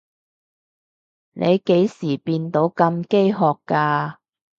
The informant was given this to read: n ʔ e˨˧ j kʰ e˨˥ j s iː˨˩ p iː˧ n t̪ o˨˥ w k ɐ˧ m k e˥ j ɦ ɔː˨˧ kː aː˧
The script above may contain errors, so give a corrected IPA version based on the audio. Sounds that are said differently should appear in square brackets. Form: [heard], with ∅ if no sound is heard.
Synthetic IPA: n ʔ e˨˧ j [k] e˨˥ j s iː˨˩ p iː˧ n t̪ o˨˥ w k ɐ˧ m k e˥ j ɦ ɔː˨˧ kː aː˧